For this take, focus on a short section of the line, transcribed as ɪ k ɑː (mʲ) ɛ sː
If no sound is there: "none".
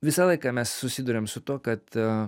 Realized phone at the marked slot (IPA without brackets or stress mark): mʲ